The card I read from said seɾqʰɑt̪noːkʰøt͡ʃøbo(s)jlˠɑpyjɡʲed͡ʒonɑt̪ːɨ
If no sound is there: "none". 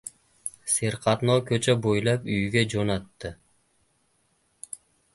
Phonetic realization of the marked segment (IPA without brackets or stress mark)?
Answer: none